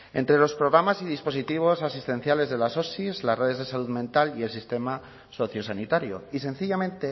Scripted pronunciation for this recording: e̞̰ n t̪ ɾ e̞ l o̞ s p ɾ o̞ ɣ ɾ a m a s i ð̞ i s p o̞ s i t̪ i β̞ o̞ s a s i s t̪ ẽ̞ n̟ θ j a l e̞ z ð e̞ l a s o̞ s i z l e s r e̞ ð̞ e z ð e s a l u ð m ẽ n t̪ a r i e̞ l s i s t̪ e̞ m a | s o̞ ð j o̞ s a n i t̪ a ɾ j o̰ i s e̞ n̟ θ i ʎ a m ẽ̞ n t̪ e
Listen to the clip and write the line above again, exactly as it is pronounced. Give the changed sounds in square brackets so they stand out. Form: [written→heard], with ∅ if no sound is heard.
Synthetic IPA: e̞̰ n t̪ ɾ e̞ l o̞ s p ɾ o̞ ɣ ɾ a m a s i ð̞ i s p o̞ s i t̪ i β̞ o̞ s a s i s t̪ [ẽ̞→e̞] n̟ θ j a l e̞ z ð e̞ l a s o̞ s i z l [e→a] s r e̞ ð̞ e z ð e s a l u ð m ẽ n t̪ a [r→l] i e̞ l s i s t̪ e̞ m a | s o̞ [ð→θ] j o̞ s a n i t̪ a ɾ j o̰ i s e̞ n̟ θ i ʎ a m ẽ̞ n t̪ e